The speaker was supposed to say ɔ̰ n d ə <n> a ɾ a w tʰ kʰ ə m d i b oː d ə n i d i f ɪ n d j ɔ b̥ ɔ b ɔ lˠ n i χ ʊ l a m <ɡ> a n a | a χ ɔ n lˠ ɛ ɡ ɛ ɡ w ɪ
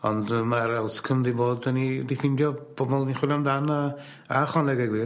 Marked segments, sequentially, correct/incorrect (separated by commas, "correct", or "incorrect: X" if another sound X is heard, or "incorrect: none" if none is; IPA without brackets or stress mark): incorrect: m, incorrect: d